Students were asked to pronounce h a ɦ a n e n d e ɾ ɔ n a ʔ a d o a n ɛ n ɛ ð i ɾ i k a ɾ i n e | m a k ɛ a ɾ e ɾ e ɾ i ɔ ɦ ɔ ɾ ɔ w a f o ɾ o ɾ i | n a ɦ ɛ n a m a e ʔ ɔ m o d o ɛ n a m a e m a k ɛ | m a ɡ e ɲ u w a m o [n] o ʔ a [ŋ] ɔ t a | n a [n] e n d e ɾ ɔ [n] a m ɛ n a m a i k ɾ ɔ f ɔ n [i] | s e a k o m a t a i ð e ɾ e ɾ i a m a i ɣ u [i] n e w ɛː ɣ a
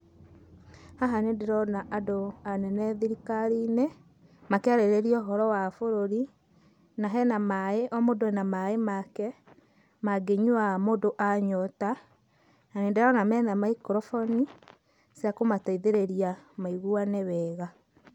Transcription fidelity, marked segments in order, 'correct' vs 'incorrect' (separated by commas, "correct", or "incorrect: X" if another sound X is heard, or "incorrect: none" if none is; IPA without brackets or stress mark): incorrect: d, incorrect: ɲ, correct, correct, correct, incorrect: a